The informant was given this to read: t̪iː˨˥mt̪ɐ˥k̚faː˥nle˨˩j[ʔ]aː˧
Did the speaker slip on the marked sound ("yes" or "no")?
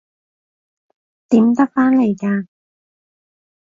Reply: yes